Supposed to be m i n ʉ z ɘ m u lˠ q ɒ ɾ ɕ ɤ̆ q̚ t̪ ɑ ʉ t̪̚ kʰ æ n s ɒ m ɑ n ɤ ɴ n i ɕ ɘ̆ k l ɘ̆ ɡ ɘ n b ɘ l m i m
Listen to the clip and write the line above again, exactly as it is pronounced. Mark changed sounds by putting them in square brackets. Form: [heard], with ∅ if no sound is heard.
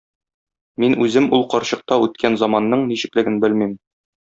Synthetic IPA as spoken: m i n ʉ z ɘ m u lˠ q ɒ ɾ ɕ ɤ̆ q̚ t̪ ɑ ʉ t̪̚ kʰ æ n [z] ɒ m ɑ [nː] ɤ ɴ n i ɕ ɘ̆ k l ɘ̆ ɡ ɘ n b ɘ l m i m

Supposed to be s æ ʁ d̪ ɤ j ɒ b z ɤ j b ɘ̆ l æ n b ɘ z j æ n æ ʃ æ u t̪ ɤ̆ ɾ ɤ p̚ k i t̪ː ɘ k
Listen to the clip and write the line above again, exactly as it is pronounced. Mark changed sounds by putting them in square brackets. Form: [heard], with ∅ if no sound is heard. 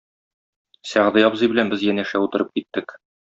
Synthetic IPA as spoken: s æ ʁ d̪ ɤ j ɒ b z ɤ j b ɘ̆ l æ n b ɘ z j æ n æ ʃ æ u t̪ ɤ̆ ɾ ɤ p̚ k i t̪ː ɘ k

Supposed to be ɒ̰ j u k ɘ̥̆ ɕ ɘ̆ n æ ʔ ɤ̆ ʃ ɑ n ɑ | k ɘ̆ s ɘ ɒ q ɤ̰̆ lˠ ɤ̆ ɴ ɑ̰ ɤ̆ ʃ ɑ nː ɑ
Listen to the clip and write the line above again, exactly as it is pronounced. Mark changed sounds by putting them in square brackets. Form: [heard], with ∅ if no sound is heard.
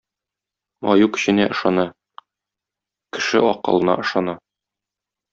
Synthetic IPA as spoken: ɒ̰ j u k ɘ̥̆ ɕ ɘ̆ n æ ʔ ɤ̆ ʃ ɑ n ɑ | k ɘ̆ [ʃ] ɘ ɒ q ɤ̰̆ lˠ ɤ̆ [n] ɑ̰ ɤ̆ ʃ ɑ [n] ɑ

